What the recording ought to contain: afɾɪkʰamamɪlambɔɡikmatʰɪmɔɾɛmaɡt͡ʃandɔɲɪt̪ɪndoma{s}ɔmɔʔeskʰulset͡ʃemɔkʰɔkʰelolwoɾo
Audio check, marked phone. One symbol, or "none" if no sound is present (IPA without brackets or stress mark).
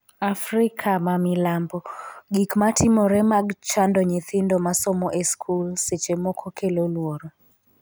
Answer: s